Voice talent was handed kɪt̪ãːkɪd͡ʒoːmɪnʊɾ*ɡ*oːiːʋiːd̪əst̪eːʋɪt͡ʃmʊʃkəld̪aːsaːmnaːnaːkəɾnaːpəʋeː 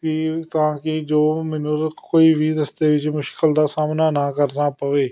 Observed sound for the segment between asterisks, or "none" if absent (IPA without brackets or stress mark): k